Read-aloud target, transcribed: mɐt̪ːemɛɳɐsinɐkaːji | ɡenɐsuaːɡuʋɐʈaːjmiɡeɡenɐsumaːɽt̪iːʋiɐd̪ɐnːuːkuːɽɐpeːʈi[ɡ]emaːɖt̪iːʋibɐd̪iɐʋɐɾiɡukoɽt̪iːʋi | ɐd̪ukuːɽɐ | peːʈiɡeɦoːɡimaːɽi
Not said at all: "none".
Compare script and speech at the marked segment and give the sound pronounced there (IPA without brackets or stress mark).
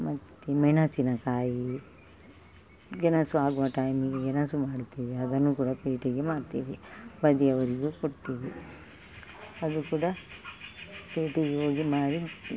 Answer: ɡ